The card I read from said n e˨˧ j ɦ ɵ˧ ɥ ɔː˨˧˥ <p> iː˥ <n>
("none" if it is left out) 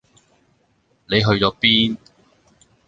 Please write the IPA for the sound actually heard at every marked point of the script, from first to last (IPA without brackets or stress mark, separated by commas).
p, n